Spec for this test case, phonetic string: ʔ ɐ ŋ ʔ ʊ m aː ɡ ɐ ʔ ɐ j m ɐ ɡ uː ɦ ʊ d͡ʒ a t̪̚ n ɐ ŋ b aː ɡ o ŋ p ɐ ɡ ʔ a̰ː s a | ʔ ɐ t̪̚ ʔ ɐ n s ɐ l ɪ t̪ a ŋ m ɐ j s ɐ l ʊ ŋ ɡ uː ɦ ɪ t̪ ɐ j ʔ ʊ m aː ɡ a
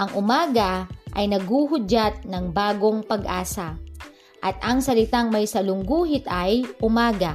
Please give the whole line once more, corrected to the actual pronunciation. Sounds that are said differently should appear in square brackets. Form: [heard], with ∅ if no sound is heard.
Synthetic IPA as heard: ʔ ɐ ŋ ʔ ʊ m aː ɡ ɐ ʔ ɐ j [n] ɐ ɡ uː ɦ ʊ d͡ʒ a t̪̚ n ɐ ŋ b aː ɡ o ŋ p ɐ ɡ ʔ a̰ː s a | ʔ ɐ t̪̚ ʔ ɐ [ŋ] s ɐ l ɪ t̪ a ŋ m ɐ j s ɐ l ʊ ŋ ɡ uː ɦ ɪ t̪ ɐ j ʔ ʊ m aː ɡ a